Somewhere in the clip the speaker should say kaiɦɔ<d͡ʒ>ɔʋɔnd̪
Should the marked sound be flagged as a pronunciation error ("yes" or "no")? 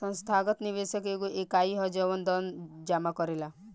no